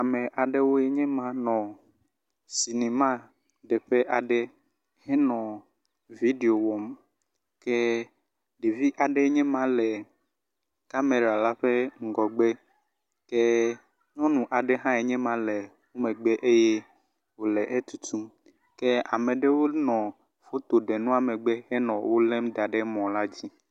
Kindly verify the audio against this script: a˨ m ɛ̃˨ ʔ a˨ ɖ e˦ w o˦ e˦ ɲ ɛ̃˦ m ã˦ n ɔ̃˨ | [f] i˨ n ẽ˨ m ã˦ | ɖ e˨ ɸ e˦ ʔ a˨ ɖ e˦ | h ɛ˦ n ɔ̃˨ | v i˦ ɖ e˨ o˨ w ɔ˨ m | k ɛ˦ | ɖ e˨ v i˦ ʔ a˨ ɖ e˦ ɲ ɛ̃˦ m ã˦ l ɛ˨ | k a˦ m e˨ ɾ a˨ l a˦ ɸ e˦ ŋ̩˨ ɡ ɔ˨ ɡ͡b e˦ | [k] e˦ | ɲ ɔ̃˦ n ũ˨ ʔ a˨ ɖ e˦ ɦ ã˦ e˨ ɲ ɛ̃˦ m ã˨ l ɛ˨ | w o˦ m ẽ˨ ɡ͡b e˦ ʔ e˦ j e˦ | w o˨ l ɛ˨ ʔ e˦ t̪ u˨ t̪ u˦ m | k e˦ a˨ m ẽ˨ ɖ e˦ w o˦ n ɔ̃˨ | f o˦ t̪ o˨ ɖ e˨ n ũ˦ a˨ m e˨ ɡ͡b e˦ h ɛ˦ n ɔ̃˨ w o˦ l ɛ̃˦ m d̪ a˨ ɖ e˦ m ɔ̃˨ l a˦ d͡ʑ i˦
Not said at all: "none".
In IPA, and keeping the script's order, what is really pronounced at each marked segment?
s, k

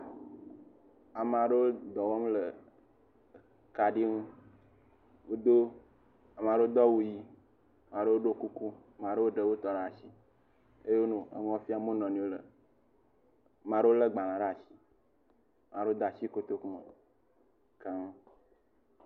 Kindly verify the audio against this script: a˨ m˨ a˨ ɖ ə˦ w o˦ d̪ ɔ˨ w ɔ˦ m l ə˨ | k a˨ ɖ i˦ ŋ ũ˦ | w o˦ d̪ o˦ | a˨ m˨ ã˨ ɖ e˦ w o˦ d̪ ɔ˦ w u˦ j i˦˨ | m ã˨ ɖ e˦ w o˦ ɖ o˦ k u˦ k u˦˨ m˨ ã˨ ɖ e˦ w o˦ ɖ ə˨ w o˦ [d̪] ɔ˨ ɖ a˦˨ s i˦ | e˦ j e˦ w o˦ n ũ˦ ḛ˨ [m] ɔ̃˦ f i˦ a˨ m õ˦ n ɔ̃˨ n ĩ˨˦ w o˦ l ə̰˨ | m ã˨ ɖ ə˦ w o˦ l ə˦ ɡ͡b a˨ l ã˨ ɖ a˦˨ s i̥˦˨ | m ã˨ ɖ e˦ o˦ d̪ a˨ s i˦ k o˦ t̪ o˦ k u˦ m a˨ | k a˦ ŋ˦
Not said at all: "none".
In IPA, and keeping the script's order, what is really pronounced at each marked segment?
t̪, ŋ

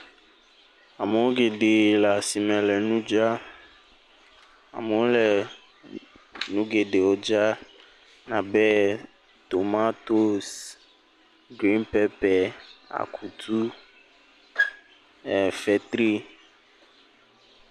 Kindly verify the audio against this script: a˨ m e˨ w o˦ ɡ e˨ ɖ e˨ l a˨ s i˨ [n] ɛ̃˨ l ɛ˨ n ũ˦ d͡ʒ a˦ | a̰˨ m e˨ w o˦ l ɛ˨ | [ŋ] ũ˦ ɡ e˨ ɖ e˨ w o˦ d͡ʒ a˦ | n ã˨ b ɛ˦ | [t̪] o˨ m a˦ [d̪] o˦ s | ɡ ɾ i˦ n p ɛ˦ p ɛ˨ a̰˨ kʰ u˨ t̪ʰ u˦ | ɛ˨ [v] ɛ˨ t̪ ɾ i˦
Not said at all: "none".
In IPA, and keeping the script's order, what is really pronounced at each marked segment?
m, n, t̪, t̪, f

